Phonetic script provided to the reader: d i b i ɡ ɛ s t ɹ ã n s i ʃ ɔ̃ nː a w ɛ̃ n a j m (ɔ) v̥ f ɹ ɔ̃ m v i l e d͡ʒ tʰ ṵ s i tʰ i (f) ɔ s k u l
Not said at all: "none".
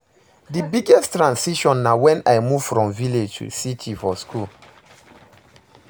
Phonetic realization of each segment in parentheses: u, f

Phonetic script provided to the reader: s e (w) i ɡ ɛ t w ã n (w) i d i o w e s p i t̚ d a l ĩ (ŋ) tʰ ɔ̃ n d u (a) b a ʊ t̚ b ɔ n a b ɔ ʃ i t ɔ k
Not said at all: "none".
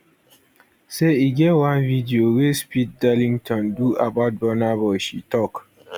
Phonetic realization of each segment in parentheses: none, v, ŋ, a

